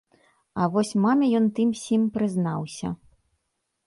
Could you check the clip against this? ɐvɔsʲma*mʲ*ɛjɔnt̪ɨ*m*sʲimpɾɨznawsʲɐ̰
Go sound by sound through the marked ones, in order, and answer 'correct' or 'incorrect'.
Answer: correct, correct

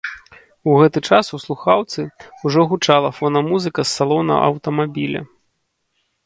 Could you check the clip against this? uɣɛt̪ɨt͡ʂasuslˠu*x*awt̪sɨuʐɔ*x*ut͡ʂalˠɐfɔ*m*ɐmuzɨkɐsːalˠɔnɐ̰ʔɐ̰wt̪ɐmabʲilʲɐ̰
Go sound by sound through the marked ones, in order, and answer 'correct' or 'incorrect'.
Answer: correct, incorrect: ɣ, incorrect: n

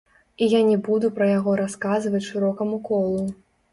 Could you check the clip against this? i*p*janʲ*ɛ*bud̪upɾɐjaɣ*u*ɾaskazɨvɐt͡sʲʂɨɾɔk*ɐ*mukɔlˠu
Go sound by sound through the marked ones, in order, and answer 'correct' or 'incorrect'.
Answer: incorrect: none, correct, incorrect: ɔ, correct

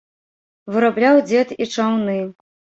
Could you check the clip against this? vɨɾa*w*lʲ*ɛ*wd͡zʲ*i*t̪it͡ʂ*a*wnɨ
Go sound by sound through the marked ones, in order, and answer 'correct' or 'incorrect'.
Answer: incorrect: b, incorrect: a, incorrect: ɛ, correct

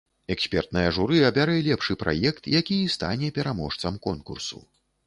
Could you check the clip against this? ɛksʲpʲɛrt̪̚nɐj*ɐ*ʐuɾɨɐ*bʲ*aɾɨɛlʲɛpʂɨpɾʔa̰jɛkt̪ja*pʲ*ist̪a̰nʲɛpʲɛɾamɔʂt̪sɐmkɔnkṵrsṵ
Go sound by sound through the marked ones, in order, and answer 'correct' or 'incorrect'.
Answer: correct, correct, incorrect: kʲ

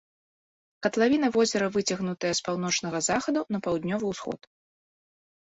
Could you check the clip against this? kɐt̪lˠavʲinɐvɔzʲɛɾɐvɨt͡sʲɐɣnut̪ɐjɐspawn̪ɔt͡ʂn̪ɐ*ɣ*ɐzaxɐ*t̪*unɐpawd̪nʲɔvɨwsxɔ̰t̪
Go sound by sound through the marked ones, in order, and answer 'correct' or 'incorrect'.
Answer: correct, incorrect: d̪

